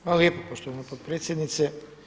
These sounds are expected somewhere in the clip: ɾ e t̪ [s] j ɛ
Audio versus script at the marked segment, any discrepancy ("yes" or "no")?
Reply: no